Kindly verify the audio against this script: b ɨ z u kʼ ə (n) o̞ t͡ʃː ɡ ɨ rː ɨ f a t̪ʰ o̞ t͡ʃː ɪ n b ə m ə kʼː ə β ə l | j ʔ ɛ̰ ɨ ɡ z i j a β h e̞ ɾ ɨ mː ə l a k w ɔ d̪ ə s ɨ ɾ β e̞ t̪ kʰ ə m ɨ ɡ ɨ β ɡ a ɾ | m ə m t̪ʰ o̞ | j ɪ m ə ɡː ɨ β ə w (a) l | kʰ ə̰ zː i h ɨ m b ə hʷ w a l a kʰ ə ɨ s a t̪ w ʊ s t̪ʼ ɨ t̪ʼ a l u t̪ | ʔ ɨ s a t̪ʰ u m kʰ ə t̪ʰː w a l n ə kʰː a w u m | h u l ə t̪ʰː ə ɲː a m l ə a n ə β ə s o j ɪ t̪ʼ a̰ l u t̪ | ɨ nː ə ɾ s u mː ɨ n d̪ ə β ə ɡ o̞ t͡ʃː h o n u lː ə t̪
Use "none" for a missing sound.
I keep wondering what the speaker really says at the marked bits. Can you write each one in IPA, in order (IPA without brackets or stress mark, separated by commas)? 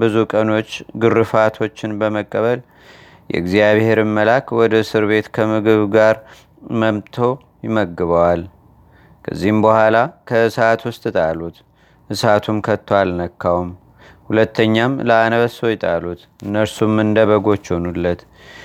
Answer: n, a